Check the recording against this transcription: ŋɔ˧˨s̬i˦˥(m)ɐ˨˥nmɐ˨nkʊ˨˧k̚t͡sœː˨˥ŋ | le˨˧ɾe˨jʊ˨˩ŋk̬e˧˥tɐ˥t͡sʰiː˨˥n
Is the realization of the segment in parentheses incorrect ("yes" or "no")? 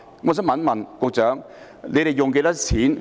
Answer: no